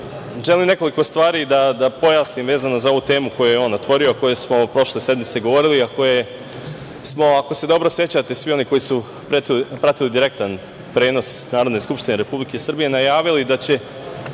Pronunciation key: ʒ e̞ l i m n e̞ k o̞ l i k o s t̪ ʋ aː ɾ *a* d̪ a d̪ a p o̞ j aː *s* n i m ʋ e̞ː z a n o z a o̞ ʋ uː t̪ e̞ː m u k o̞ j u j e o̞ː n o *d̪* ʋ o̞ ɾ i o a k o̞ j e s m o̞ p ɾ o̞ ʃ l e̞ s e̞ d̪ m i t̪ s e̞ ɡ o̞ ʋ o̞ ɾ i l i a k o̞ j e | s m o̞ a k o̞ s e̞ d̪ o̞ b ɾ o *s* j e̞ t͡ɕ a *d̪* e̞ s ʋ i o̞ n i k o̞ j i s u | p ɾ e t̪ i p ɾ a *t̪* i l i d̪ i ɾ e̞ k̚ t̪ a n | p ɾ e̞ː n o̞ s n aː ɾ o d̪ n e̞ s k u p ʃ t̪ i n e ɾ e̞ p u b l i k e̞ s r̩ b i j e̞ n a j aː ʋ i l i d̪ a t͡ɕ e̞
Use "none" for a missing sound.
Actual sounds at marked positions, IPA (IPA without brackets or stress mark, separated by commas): i, s, t̪, s, t̪, t̪